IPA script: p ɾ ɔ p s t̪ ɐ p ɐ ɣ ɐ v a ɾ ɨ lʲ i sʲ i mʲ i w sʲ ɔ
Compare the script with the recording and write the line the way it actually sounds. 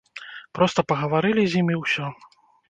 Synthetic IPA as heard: p ɾ ɔ s t̪ ɐ p ɐ ɣ ɐ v a ɾ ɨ lʲ i zʲ i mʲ i w sʲ ɔ